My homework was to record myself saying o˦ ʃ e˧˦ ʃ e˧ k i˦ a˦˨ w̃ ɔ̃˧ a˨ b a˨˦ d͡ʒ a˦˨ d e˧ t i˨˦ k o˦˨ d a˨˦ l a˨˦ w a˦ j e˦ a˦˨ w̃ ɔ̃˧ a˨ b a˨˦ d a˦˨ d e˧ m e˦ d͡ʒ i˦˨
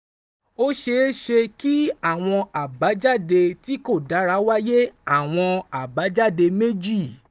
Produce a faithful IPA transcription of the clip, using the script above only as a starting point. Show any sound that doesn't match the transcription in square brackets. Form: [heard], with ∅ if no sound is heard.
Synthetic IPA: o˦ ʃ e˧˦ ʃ e˧ k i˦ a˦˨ w̃ ɔ̃˧ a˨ b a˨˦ d͡ʒ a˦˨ d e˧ t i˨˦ k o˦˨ d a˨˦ [ɾ] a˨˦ w a˦ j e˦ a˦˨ w̃ ɔ̃˧ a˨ b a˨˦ [d͡ʒ] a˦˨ d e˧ m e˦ d͡ʒ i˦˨